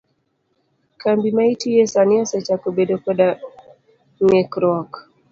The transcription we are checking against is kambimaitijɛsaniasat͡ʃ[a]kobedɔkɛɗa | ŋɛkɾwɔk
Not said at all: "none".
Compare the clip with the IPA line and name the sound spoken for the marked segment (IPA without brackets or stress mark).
a